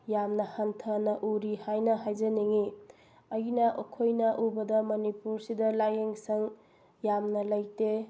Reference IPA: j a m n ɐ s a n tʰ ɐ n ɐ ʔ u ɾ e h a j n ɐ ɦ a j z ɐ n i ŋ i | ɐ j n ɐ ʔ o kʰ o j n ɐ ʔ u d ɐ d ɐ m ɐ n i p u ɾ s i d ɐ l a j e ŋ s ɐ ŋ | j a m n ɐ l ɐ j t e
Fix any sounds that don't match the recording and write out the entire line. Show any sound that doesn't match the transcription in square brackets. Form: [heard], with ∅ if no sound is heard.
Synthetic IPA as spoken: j a m n ɐ [h] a n tʰ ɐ n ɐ ʔ u ɾ [i] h a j n ɐ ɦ a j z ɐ n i ŋ i | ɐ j n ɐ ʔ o kʰ o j n ɐ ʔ u [b] ɐ d ɐ m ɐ n i p u ɾ s i d ɐ l a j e ŋ s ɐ ŋ | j a m n ɐ l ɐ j t e